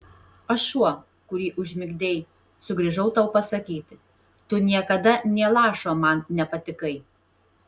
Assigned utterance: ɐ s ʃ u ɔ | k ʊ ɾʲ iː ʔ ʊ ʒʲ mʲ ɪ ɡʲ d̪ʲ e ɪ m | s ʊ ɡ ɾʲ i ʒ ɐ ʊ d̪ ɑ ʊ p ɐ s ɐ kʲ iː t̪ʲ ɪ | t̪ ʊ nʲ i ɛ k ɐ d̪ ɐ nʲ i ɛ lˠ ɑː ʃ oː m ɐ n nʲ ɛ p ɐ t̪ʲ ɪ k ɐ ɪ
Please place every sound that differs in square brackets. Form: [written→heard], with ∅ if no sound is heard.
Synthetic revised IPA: ɐ [s→ʃ] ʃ u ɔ | k ʊ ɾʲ iː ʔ ʊ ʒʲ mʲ ɪ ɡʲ d̪ʲ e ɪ [m→∅] | s ʊ ɡ ɾʲ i ʒ ɐ ʊ [d̪→t̪] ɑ ʊ p ɐ s ɐ kʲ iː t̪ʲ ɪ | t̪ ʊ nʲ i ɛ k ɐ d̪ ɐ nʲ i ɛ lˠ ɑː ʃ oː m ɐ n nʲ ɛ p ɐ t̪ʲ ɪ k ɐ ɪ